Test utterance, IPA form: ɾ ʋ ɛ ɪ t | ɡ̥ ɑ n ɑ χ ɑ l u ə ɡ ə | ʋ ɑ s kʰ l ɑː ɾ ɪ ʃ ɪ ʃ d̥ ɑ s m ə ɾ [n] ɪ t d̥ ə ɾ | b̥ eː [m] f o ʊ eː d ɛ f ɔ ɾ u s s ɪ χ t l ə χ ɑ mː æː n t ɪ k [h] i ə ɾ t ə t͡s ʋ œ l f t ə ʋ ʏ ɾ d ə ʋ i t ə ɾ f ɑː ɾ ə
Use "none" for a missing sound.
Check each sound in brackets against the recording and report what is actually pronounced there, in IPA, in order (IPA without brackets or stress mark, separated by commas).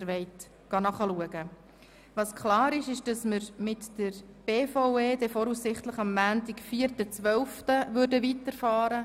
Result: m, none, f